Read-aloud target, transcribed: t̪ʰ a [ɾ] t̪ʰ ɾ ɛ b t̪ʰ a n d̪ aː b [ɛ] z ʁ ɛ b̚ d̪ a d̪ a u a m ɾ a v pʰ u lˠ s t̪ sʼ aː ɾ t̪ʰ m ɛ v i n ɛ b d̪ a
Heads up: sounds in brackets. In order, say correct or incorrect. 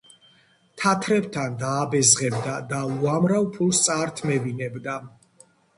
incorrect, correct

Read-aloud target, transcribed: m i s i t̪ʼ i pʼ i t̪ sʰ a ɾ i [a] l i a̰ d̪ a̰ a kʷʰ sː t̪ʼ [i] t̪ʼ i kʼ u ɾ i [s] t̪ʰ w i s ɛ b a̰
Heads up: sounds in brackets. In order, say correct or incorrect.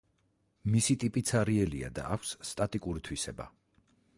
incorrect, incorrect, incorrect

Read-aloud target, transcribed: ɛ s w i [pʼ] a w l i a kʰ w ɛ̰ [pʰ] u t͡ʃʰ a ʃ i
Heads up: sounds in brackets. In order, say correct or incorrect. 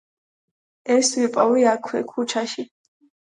correct, incorrect

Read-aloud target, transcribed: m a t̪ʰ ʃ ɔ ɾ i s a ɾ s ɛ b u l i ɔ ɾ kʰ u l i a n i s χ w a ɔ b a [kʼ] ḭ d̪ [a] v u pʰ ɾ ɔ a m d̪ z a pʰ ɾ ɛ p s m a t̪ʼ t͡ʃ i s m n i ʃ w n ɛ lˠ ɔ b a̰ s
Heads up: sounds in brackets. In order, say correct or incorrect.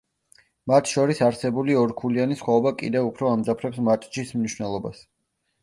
correct, incorrect

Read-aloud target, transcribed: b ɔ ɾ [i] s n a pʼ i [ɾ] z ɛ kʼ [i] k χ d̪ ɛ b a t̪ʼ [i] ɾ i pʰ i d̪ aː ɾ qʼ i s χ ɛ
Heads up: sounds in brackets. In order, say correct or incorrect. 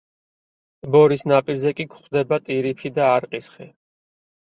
correct, correct, correct, correct

